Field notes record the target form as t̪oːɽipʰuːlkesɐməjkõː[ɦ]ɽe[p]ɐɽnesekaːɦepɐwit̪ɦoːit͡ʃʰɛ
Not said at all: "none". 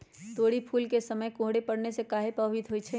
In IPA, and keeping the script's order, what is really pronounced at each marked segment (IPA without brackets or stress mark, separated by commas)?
ɦ, p